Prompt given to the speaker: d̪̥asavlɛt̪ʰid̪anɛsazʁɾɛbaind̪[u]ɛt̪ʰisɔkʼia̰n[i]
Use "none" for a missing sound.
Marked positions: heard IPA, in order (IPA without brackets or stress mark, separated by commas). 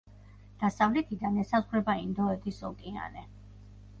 ɔ, ɛ